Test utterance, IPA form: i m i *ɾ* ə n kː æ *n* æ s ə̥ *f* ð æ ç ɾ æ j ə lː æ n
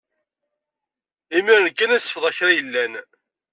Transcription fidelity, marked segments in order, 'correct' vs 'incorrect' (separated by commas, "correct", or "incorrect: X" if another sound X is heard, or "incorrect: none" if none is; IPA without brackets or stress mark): correct, correct, correct